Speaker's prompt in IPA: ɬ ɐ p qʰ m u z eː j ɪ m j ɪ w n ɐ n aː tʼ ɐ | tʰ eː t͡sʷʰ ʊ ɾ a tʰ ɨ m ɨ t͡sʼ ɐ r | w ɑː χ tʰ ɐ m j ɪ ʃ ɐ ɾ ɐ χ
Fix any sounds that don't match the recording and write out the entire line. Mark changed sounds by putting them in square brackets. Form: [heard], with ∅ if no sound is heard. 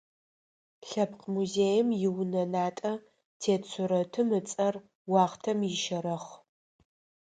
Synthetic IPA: ɬ ɐ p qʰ m u z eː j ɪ m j ɪ w n ɐ n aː tʼ ɐ | tʰ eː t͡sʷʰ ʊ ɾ [ɐ] tʰ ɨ m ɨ t͡sʼ ɐ r | w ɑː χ tʰ ɐ m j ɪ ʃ ɐ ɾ ɐ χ

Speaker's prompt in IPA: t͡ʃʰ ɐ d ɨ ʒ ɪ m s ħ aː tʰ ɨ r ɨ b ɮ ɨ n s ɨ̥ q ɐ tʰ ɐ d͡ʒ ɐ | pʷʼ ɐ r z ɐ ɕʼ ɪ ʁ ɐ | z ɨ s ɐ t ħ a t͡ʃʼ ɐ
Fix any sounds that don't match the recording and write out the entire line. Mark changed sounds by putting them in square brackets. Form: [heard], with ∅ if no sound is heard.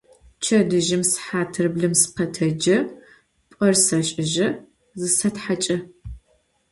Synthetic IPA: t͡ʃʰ ɐ d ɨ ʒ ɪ m s ħ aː tʰ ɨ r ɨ b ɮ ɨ [m] s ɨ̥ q ɐ tʰ ɐ d͡ʒ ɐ | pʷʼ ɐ r [s] ɐ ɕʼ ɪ [ʒ] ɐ | z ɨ s ɐ t ħ a t͡ʃʼ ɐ

